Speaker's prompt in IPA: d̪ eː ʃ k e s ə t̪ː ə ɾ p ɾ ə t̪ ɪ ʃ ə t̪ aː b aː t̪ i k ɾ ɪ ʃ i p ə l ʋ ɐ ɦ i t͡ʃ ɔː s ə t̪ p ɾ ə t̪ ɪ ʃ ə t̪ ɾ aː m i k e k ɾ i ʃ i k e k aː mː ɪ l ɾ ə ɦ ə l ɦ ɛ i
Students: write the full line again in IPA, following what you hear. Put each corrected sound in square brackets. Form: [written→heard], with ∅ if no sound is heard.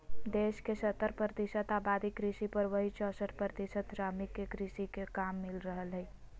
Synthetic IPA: d̪ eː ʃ k e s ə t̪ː ə ɾ p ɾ ə t̪ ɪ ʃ ə t̪ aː b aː [t̪→d̪] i k ɾ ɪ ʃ i p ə [l→ɾ] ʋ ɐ ɦ i t͡ʃ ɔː s ə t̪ p ɾ ə t̪ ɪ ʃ ə t̪ ɾ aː m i k e k ɾ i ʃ i k e k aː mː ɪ l ɾ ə ɦ ə l ɦ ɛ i